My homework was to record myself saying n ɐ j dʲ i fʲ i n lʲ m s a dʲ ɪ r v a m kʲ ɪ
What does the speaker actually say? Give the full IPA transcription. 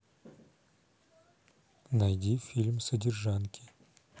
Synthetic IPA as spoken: n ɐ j dʲ i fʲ i lʲ m s ə dʲ ɪ r ʐ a n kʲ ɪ